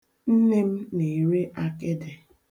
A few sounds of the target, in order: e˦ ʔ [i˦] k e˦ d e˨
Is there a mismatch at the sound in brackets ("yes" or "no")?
yes